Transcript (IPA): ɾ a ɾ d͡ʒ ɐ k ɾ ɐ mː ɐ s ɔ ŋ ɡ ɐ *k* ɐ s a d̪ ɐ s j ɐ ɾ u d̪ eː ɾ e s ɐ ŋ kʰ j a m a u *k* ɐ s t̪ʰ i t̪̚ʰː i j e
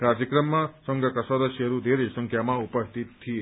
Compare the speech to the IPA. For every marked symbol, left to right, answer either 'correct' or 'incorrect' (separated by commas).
correct, incorrect